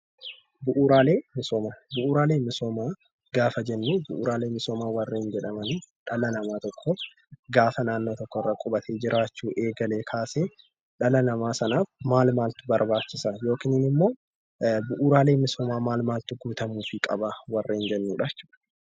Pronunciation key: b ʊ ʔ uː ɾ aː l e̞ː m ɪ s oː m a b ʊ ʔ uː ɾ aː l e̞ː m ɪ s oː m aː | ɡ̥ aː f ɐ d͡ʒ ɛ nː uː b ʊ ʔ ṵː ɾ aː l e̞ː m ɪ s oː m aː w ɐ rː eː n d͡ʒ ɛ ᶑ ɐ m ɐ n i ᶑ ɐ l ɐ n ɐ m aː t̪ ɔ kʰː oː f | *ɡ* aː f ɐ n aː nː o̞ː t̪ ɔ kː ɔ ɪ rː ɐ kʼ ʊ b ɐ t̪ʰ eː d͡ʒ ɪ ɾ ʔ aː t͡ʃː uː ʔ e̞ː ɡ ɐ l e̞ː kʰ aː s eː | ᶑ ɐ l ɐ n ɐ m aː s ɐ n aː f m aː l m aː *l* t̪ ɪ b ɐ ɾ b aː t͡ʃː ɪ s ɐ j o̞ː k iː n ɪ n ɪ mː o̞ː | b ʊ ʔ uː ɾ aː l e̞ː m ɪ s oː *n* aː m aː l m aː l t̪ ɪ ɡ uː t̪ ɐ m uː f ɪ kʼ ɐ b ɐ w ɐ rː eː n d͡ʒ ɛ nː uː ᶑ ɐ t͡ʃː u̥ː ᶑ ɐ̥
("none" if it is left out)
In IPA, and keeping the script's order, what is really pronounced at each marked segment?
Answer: ɡ, l, m

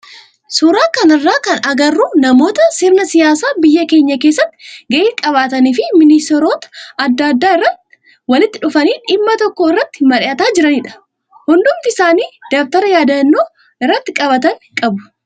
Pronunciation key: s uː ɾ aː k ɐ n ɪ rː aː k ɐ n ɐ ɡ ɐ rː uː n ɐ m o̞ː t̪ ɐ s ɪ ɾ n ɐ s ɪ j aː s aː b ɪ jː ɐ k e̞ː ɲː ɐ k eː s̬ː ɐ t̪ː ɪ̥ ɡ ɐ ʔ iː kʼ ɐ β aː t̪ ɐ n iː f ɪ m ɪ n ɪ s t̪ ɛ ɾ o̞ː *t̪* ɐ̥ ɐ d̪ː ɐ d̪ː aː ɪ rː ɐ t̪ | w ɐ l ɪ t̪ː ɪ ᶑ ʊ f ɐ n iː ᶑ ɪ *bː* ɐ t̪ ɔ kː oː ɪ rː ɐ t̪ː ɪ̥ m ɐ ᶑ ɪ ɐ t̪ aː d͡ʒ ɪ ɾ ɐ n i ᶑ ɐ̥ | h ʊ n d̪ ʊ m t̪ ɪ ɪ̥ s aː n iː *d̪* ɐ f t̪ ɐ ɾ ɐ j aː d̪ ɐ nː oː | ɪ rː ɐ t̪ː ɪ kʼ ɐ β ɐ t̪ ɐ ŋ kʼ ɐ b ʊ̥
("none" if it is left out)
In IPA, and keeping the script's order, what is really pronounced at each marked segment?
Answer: t̪, mː, d̪

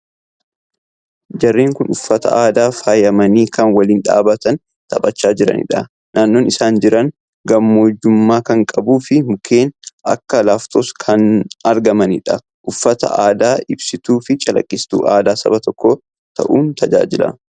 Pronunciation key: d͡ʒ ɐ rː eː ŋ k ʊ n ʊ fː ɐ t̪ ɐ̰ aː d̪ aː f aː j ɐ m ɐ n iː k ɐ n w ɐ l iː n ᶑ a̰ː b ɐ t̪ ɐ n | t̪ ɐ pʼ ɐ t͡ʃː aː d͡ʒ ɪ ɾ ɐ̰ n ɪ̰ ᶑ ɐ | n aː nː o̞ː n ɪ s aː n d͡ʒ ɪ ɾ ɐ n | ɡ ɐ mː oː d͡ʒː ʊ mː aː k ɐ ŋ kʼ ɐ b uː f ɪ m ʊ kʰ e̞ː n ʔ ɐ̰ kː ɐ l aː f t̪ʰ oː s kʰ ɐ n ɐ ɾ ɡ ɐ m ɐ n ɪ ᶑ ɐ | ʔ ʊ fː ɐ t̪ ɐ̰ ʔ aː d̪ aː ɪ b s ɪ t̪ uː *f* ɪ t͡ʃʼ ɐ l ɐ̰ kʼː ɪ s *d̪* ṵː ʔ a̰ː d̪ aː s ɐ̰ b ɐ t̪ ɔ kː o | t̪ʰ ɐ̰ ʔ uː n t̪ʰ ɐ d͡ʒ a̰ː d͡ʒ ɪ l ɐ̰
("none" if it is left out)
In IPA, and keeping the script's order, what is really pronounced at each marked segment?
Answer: f, t̪

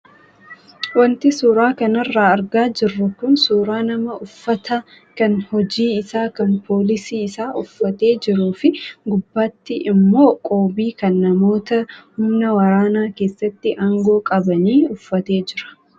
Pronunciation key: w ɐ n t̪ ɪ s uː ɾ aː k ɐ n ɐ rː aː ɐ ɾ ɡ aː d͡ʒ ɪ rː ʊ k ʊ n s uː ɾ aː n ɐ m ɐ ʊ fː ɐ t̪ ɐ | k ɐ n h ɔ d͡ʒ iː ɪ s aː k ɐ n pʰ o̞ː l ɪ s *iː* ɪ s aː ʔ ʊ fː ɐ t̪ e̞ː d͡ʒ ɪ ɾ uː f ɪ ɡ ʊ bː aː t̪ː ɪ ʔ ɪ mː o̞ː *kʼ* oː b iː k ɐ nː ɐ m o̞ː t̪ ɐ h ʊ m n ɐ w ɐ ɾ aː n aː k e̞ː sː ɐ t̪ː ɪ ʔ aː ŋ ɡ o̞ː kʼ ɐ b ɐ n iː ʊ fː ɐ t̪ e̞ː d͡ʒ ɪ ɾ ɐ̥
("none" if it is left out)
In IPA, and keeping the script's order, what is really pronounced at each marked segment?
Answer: iː, kʼ

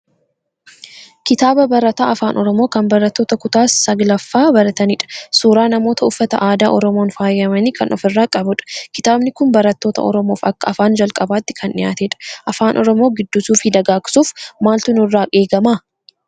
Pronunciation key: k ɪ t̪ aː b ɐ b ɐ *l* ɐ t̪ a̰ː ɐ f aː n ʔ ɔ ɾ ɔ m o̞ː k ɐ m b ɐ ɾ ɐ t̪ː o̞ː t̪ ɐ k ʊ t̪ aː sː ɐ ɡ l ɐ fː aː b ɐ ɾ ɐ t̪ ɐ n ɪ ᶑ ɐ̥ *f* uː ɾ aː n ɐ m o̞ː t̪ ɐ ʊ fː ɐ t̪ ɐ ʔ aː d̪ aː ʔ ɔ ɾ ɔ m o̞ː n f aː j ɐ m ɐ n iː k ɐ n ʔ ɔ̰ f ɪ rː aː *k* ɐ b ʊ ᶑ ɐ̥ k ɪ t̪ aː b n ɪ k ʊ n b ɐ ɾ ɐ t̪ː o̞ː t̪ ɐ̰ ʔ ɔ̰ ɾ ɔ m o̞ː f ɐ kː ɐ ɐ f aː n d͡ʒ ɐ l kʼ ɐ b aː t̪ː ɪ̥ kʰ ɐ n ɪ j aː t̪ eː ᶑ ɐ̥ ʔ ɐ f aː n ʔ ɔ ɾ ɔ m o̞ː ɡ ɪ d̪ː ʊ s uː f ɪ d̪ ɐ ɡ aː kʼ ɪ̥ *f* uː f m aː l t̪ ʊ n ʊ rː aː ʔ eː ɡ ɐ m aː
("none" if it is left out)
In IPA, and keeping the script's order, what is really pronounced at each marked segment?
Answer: ɾ, s, kʼ, s

